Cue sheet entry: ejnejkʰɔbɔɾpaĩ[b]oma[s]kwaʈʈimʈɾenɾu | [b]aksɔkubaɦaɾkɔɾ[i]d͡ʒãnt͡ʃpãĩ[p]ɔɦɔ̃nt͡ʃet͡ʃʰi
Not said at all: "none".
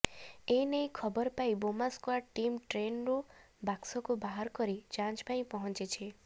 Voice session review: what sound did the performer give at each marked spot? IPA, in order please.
b, s, b, i, p

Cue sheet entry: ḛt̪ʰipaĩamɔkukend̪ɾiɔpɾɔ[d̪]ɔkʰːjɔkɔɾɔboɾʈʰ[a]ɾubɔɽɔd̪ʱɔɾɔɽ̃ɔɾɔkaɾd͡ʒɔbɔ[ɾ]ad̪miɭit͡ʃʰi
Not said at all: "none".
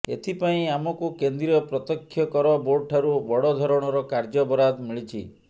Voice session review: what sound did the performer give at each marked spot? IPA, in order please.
t̪, a, ɾ

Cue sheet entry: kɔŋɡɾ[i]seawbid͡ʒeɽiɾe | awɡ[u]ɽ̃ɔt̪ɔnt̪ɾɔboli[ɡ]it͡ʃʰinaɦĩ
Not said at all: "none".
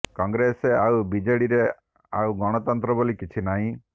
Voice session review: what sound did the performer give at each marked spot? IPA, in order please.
e, ɔ, k

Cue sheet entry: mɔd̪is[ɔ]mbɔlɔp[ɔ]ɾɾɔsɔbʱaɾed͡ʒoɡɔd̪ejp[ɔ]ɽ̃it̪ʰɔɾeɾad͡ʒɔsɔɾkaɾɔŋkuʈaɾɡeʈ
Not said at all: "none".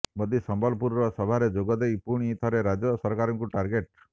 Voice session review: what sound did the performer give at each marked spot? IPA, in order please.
ɔ, u, u

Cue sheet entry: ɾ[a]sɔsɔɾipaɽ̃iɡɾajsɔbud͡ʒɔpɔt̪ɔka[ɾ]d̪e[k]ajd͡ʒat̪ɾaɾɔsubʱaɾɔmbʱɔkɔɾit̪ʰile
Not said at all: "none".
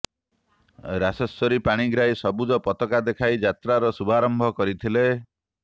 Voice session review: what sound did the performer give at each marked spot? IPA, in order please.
a, none, kʰ

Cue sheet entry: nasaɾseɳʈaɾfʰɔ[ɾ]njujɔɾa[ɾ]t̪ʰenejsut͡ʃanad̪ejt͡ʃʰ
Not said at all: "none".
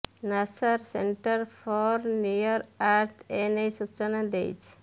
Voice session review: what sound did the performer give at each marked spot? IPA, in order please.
ɾ, ɾ

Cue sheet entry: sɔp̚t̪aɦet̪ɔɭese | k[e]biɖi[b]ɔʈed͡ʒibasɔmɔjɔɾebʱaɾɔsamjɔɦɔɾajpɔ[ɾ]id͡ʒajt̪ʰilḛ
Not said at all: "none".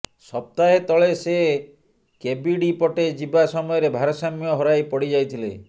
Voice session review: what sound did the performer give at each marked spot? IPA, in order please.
e, p, ɽ

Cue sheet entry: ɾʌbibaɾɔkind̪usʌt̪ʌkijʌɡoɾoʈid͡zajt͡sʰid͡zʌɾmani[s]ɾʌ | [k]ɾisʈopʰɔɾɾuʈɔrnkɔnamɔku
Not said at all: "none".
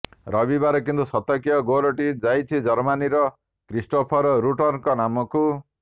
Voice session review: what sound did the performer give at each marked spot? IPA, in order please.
none, k

